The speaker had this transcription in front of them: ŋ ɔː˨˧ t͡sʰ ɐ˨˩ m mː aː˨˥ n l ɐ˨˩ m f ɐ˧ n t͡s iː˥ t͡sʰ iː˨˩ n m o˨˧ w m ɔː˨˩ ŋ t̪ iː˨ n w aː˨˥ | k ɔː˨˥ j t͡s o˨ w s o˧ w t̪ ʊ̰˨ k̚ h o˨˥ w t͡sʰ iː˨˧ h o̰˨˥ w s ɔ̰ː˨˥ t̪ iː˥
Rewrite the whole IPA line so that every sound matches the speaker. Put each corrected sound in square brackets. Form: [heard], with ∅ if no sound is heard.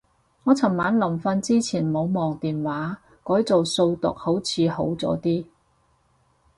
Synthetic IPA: ŋ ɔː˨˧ t͡sʰ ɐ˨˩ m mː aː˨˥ n l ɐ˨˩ m f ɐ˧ n t͡s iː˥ t͡sʰ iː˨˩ n m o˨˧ w m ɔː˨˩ ŋ t̪ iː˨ n w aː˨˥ | k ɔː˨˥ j t͡s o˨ w s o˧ w t̪ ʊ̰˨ k̚ h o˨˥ w t͡sʰ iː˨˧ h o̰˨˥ w [t͡s] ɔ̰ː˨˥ t̪ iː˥